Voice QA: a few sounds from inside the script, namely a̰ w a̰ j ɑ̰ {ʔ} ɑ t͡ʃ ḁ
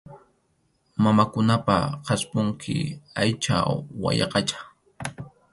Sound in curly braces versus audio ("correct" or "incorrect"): incorrect